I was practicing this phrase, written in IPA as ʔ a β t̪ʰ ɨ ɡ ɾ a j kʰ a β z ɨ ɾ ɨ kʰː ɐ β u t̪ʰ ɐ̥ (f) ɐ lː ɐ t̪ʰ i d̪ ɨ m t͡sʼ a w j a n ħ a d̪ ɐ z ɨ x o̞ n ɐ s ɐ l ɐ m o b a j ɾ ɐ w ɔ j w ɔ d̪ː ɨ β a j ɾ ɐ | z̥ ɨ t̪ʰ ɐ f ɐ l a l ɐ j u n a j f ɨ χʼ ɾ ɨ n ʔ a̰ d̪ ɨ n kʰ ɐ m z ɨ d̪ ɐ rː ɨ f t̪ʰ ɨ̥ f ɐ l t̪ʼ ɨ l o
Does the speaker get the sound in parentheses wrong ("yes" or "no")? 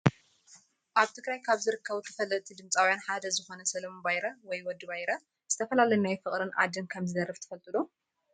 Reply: no